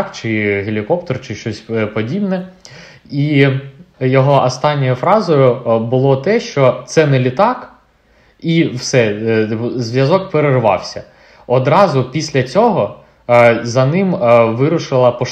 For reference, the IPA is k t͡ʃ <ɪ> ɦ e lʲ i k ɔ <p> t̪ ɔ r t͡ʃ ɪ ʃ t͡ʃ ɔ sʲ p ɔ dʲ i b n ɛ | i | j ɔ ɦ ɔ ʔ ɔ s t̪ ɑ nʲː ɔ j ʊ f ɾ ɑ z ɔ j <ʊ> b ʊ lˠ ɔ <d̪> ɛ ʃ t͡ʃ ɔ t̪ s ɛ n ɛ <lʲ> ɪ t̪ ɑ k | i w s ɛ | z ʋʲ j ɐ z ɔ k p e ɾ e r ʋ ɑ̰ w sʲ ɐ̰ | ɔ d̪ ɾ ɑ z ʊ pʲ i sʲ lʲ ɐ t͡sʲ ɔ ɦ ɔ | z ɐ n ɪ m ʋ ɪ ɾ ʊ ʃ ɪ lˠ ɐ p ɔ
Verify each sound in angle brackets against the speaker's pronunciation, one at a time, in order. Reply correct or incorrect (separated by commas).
correct, correct, correct, incorrect, correct